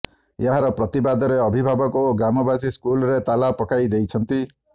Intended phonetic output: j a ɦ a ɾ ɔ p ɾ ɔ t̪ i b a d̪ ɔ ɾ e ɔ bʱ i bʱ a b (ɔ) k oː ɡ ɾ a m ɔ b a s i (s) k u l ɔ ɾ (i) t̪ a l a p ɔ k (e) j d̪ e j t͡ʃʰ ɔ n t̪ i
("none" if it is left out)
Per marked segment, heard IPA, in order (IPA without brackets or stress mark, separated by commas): ɔ, s, e, a